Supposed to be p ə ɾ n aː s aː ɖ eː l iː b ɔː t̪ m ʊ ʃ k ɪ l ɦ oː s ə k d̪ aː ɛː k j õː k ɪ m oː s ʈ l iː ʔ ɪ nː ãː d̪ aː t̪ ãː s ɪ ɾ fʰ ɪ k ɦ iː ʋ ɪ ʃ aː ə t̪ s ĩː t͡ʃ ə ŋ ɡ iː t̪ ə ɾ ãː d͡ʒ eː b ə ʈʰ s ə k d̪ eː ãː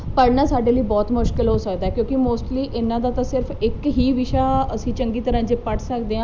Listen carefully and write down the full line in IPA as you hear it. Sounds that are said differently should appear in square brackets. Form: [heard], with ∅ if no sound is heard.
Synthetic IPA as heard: p ə ɾ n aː s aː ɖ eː l iː b ɔː t̪ m ʊ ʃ k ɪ l ɦ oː s ə k d̪ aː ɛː k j õː k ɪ m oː s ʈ l iː ʔ ɪ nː ãː d̪ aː t̪ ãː s ɪ ɾ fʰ ɪ k ɦ iː ʋ ɪ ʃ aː ə [∅] s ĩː t͡ʃ ə ŋ ɡ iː t̪ ə ɾ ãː d͡ʒ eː [p] ə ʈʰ s ə k d̪ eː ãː